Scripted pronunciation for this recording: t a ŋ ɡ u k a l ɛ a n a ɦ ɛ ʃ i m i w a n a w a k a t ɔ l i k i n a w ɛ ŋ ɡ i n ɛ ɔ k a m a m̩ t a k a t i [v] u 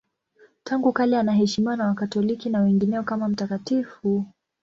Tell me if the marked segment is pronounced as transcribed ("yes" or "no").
no